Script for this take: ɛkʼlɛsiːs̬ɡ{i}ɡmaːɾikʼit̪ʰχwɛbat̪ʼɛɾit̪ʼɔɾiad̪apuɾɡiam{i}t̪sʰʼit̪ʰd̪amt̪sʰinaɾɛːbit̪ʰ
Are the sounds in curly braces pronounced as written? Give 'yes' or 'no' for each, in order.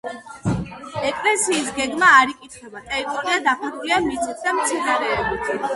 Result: no, yes

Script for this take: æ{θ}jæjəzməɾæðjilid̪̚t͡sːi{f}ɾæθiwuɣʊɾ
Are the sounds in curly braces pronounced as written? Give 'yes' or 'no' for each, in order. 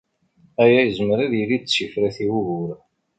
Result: no, yes

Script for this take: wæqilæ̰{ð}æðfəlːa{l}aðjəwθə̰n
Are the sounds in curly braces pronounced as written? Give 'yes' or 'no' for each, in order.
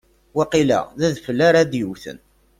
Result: yes, no

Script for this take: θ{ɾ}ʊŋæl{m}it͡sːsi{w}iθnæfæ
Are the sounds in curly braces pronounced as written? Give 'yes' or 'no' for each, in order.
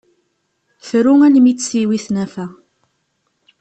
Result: yes, yes, yes

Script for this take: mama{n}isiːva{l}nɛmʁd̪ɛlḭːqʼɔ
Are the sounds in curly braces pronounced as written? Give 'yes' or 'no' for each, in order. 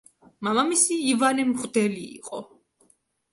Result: no, no

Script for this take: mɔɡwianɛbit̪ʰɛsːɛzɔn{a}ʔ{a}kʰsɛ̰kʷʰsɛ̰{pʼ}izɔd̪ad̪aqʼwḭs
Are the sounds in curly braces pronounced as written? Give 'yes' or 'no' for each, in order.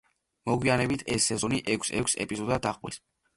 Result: no, no, yes

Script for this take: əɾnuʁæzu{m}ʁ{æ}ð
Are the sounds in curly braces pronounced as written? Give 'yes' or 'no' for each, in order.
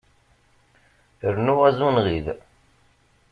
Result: no, no

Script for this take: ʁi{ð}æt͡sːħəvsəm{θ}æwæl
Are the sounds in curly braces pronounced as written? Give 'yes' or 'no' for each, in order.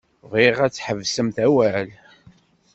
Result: no, yes

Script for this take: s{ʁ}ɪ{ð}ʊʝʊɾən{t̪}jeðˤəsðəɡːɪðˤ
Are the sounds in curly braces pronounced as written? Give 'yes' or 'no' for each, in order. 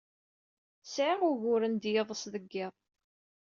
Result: no, no, no

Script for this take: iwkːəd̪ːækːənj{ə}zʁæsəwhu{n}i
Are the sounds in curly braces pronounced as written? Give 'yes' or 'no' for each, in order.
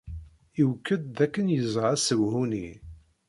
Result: yes, yes

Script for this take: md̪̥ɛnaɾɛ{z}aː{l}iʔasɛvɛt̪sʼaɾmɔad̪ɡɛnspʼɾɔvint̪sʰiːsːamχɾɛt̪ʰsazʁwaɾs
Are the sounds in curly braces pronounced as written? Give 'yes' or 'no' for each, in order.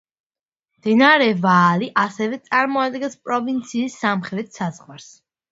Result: no, yes

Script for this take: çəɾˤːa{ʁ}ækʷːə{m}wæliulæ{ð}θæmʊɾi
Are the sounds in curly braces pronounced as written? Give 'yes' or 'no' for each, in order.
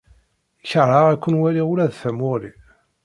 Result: yes, no, yes

